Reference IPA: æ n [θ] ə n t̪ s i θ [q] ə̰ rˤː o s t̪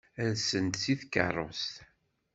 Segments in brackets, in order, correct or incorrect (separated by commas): incorrect, incorrect